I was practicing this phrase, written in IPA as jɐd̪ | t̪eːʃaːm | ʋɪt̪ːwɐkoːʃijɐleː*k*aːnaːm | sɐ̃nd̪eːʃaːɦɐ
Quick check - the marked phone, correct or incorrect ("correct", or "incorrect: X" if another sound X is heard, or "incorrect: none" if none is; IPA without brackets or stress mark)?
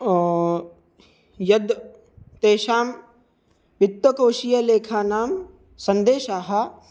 incorrect: kʰ